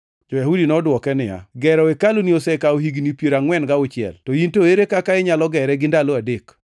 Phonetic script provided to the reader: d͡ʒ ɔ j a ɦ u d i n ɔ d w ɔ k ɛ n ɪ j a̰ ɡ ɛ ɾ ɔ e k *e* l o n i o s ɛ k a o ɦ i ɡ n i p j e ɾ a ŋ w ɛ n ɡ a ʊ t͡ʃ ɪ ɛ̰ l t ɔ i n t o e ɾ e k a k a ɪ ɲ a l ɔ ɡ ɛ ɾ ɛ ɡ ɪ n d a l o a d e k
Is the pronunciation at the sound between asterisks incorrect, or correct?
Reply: incorrect